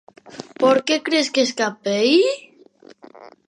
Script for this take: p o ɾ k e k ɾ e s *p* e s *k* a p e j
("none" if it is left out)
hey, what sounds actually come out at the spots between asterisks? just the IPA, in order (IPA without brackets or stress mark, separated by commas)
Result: k, k